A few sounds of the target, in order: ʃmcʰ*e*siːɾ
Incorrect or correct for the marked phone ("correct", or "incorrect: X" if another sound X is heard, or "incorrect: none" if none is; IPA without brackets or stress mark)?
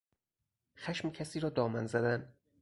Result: incorrect: æ